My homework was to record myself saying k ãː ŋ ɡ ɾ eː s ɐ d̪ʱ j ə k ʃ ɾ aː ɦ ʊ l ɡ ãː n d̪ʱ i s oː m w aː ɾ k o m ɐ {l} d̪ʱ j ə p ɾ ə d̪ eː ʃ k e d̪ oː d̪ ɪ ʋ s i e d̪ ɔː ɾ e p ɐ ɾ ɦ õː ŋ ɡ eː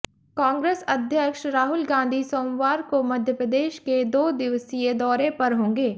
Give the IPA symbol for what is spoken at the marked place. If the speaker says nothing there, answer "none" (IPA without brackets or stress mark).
none